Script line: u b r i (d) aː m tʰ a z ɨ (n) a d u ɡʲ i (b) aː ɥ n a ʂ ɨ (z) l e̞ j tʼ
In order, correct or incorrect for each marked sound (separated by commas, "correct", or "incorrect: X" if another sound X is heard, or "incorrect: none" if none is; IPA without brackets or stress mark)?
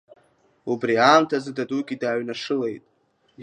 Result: incorrect: none, incorrect: d, incorrect: d, incorrect: none